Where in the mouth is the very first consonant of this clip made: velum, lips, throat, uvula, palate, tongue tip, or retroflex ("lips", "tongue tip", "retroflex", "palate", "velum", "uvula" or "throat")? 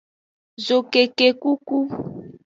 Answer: tongue tip